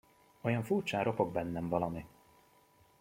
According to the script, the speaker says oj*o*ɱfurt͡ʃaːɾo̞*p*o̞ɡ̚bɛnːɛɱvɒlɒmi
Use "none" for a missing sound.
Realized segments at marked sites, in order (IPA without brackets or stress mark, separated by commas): ɒ, p